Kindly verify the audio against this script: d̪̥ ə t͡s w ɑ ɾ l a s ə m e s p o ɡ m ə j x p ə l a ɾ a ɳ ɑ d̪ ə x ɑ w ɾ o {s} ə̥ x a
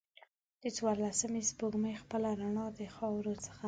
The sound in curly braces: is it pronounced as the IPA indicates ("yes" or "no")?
no